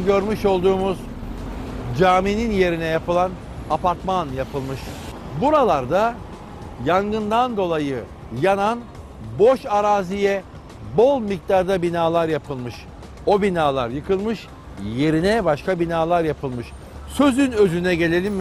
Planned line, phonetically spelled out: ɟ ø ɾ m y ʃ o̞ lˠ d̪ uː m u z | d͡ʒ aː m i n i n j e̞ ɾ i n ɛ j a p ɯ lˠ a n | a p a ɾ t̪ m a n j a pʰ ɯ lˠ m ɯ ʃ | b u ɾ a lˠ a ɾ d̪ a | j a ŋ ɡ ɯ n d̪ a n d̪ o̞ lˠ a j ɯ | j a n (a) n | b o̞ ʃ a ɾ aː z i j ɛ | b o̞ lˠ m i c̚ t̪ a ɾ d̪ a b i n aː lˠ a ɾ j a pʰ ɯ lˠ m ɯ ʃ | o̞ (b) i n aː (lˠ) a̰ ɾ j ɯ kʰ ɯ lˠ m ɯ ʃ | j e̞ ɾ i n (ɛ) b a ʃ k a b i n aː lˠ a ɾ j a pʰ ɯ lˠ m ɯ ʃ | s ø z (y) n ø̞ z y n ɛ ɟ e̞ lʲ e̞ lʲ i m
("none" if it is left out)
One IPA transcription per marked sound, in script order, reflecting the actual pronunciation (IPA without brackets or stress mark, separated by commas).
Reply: a, b, lˠ, ɛ, y